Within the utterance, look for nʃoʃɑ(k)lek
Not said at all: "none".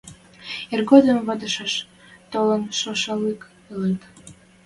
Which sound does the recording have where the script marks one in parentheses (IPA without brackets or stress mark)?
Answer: none